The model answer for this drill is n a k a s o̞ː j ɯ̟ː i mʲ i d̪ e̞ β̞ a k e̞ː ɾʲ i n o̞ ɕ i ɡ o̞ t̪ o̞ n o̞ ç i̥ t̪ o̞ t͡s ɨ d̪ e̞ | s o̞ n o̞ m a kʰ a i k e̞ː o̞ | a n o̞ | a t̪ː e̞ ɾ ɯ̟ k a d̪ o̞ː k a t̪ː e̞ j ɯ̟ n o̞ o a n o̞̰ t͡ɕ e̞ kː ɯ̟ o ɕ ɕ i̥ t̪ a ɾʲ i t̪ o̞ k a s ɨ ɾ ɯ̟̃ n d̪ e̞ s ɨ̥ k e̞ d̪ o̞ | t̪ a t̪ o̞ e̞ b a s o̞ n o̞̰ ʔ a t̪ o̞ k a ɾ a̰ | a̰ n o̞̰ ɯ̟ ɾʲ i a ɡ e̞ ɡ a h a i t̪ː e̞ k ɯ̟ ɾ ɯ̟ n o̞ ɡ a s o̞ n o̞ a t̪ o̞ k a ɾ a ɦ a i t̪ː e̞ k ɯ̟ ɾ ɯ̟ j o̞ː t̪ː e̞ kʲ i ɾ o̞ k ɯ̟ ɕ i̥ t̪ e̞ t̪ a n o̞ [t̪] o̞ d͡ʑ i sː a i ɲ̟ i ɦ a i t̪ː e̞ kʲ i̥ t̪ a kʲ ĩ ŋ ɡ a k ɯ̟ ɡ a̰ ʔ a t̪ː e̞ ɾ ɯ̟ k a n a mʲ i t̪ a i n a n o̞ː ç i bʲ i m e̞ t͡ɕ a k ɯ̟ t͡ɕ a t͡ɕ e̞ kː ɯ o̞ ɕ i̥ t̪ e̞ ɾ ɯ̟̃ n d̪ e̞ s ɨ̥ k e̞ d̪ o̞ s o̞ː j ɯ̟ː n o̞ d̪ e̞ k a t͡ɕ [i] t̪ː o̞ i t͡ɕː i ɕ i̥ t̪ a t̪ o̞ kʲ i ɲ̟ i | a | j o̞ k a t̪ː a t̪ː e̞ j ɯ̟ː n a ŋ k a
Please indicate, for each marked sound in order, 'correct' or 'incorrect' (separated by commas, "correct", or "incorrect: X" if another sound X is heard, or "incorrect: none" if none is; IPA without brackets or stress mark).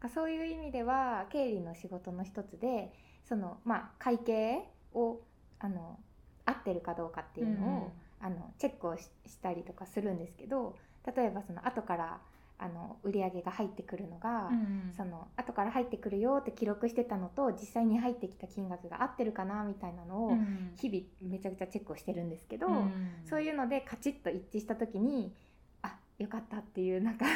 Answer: correct, correct